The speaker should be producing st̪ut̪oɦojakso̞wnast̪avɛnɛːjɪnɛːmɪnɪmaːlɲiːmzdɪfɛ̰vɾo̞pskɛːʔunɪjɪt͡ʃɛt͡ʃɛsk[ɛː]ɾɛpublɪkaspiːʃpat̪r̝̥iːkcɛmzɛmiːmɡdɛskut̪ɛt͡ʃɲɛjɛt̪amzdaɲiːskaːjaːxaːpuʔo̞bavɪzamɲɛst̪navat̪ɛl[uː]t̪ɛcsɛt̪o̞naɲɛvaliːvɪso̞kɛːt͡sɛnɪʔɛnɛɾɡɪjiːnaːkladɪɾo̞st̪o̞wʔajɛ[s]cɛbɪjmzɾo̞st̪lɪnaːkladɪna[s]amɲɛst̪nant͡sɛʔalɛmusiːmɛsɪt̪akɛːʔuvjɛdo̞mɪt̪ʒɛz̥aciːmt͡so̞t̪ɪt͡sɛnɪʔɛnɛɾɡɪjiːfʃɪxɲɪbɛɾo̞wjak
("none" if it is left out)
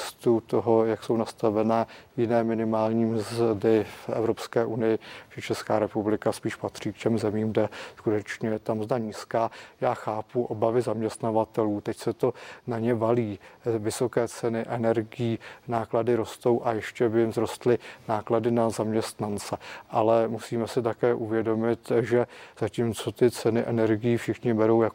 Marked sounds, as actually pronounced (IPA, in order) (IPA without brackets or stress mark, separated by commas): aː, uː, ʃ, z